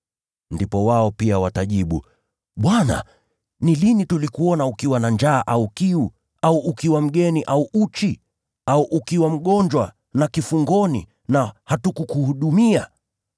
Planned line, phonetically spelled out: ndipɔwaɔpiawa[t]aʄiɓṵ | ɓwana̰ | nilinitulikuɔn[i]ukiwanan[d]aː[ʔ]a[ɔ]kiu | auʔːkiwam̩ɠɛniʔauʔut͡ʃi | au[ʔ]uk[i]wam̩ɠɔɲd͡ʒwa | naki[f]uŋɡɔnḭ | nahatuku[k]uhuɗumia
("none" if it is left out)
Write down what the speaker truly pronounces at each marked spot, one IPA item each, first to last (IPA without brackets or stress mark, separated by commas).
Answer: t, a, d͡ʒ, ʔ, u, ʔ, i, f, k